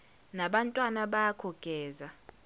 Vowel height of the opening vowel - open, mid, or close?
open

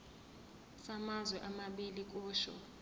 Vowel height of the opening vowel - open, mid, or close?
open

